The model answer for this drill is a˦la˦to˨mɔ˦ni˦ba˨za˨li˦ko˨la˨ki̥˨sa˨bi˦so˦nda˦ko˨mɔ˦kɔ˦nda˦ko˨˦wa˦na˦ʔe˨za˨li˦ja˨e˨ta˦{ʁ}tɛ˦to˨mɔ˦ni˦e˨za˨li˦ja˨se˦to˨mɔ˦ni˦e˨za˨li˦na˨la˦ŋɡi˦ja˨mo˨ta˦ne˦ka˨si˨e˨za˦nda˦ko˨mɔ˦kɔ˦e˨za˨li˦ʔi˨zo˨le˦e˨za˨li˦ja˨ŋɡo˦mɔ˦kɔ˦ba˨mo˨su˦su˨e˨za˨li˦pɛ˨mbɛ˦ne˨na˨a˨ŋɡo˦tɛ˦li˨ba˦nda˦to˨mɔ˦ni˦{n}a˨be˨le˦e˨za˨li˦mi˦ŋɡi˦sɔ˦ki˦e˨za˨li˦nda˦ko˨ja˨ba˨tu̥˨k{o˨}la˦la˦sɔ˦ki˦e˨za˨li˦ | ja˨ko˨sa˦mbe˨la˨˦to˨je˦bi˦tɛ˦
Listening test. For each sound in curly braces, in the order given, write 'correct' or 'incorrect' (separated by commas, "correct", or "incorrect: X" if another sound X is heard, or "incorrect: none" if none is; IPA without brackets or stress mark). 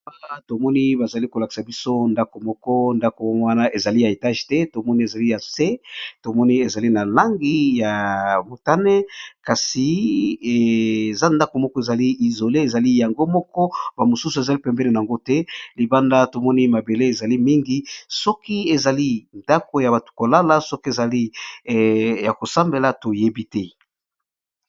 incorrect: ʒ, incorrect: m, correct